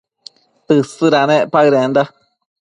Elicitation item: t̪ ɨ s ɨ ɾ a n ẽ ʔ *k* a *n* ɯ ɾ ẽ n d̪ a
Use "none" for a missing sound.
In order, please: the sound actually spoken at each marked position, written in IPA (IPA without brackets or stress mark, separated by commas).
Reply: p, none